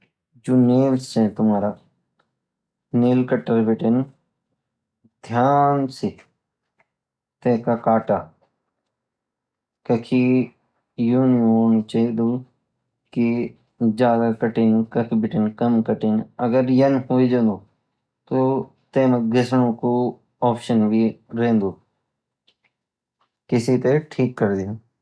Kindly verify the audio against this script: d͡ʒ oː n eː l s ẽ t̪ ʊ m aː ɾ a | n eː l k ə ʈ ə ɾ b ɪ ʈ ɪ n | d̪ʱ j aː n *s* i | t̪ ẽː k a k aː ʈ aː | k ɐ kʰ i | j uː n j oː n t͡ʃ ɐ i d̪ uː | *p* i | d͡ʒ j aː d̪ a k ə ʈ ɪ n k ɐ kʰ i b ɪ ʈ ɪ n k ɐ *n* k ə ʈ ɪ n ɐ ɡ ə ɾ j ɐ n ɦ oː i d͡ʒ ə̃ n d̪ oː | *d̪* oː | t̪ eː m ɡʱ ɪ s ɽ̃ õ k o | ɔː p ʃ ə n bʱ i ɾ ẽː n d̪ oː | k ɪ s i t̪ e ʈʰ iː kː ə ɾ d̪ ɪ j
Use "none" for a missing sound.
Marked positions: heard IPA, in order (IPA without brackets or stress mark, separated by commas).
s, k, m, t̪